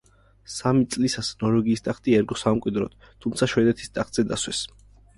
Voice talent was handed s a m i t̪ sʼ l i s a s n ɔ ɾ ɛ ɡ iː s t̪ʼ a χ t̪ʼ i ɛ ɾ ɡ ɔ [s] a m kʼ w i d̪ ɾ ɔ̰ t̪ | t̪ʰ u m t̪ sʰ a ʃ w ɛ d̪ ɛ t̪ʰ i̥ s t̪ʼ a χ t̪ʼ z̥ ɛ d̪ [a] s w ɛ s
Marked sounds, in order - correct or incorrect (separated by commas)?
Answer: correct, correct